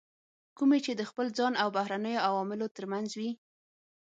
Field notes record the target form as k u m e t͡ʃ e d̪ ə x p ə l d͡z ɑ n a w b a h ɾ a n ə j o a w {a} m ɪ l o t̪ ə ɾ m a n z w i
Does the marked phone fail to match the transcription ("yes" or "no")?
yes